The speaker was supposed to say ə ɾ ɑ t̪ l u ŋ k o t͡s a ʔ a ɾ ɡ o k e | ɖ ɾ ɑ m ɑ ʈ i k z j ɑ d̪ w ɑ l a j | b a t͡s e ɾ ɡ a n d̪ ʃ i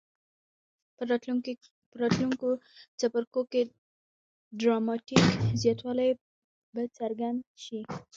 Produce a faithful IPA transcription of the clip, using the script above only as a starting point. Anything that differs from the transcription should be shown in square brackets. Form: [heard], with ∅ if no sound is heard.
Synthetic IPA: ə ɾ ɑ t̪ l u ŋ k o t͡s a [p] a ɾ [k] o k e | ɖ ɾ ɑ m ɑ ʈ i k z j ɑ [t̪] w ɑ l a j | b a t͡s [a] ɾ ɡ a n d̪ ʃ i